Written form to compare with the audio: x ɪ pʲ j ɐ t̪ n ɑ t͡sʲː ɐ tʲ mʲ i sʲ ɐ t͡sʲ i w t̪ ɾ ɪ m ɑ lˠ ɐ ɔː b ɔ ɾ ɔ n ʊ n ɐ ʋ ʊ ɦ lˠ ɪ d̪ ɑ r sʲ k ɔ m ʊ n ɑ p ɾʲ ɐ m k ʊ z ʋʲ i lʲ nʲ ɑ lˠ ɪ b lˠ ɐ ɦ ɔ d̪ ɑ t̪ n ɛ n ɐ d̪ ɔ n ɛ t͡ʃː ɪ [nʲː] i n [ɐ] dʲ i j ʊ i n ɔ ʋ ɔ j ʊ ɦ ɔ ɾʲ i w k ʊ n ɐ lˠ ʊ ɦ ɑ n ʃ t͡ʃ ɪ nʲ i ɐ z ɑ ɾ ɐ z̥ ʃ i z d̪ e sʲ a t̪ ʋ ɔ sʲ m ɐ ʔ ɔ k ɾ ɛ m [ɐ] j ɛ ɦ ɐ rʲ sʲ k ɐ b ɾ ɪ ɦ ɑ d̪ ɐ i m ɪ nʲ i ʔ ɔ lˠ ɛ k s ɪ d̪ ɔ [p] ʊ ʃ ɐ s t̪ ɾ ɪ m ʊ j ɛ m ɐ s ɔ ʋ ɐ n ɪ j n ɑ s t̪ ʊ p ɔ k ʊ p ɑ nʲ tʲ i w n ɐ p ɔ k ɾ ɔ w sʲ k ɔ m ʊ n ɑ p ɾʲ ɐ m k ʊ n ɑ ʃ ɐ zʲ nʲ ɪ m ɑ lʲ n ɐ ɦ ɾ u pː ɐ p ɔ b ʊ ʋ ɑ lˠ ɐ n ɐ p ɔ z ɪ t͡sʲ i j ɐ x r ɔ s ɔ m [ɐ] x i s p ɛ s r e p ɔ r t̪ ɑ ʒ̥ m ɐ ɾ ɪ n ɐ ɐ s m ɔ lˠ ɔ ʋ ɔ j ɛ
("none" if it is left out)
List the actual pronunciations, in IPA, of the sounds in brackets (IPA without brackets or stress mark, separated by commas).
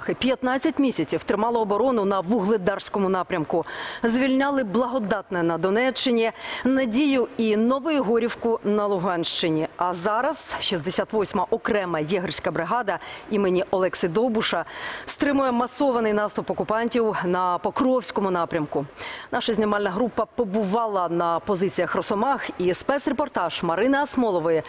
nʲ, ɐ, ɐ, b, ɑ